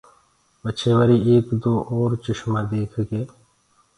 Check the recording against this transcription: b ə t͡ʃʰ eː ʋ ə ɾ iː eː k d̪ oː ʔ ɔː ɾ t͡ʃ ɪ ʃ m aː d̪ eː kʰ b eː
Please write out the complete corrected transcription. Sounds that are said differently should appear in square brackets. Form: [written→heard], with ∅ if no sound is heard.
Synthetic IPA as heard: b ə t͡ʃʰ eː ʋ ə ɾ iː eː k d̪ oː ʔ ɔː ɾ t͡ʃ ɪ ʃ m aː d̪ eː kʰ [b→ɡ] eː